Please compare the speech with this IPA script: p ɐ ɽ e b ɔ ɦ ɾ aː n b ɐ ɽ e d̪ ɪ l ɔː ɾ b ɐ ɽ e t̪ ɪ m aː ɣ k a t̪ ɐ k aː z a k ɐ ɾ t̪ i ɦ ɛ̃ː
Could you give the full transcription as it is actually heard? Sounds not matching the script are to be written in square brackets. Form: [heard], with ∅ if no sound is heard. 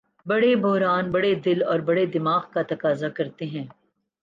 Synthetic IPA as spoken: [b] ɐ ɽ e b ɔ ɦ ɾ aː n b ɐ ɽ e d̪ ɪ l ɔː ɾ b ɐ ɽ e [d̪] ɪ m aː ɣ k a t̪ ɐ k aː z a k ɐ ɾ t̪ [e] ɦ ɛ̃ː